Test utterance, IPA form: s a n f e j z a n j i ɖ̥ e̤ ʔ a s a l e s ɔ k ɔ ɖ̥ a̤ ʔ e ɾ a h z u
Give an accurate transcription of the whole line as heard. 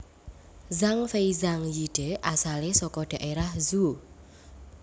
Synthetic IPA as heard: z a ŋ f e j z a ŋ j i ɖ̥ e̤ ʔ a s a l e s ɔ k ɔ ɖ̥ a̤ ʔ e ɾ a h z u